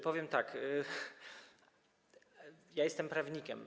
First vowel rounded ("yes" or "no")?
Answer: yes